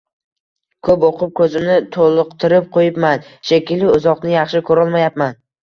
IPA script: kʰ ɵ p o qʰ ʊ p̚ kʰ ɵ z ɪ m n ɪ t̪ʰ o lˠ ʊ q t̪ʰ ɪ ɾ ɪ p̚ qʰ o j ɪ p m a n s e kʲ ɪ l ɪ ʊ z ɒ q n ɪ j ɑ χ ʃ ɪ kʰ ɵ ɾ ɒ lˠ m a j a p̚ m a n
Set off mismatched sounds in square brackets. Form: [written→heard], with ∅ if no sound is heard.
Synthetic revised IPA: kʰ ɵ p o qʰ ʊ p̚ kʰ ɵ z ɪ m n ɪ t̪ʰ o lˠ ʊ q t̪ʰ ɪ ɾ ɪ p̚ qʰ o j ɪ p m a n [s→ʃ] e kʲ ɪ l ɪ ʊ z ɒ q n ɪ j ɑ χ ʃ ɪ kʰ ɵ ɾ ɒ lˠ m a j a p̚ m a n